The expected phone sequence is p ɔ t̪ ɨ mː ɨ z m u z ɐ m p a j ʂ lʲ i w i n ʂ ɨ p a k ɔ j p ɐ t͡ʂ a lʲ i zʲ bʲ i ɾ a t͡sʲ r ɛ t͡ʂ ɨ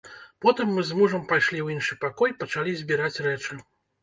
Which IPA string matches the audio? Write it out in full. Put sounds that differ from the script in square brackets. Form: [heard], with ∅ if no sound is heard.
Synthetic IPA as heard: p ɔ t̪ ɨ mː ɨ z m u [ʐ] ɐ m p a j ʂ lʲ i w i n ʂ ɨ p a k ɔ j p ɐ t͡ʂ a lʲ i zʲ bʲ i ɾ a t͡sʲ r ɛ t͡ʂ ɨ